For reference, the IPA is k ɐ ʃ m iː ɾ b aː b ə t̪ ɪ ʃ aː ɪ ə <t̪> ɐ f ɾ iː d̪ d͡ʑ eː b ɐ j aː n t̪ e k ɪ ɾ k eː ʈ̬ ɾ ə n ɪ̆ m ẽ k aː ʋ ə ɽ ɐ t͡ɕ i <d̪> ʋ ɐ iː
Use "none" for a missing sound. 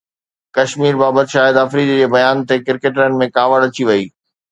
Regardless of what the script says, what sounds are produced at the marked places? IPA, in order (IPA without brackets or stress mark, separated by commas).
d̪, none